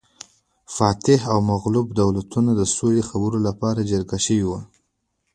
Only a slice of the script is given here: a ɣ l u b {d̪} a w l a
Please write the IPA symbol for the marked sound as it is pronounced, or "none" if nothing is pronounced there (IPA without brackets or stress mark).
d̪